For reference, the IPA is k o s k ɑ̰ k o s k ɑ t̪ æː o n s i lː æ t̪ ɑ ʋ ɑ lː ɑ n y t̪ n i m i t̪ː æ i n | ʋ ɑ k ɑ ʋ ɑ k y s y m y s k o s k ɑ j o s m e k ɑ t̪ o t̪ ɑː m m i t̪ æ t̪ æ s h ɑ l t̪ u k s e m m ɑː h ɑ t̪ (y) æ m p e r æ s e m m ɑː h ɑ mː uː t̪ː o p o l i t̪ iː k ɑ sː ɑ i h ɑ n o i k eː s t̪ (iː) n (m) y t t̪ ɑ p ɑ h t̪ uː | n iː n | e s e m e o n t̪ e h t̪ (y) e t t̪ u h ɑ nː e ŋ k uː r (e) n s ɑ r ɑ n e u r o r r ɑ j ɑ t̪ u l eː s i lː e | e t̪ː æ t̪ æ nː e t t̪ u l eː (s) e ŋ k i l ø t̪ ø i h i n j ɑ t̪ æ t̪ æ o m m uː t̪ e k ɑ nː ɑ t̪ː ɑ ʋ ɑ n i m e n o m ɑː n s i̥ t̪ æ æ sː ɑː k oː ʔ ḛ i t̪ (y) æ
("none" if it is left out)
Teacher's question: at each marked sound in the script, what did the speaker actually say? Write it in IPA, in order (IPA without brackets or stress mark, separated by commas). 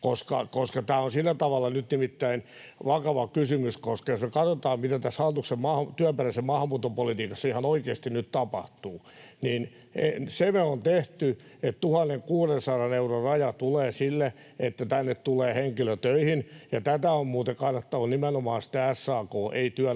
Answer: y, i, n, y, e, h, y